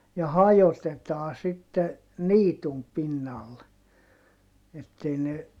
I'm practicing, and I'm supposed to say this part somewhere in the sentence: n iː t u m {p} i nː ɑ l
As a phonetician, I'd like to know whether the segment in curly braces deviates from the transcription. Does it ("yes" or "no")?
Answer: no